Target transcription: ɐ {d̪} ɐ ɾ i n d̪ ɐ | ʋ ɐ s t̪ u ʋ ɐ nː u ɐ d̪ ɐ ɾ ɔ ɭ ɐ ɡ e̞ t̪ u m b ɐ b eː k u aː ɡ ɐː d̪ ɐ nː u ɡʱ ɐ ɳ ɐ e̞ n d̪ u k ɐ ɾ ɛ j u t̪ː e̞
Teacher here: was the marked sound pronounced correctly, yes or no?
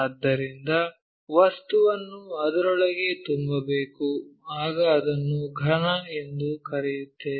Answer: no